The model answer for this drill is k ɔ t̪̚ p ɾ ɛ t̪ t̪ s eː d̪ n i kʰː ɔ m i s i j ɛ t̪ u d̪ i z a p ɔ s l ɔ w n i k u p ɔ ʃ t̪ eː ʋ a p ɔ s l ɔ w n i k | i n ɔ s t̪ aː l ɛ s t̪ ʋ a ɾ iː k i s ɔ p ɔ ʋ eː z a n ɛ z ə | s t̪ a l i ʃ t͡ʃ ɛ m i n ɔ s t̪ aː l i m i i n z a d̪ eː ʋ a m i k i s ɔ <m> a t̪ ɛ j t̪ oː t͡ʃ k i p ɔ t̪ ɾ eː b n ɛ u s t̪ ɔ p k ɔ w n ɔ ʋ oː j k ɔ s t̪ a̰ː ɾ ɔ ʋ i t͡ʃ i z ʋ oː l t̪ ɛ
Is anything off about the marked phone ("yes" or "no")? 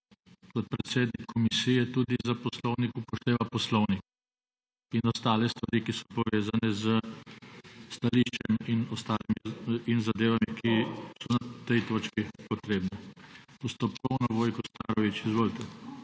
yes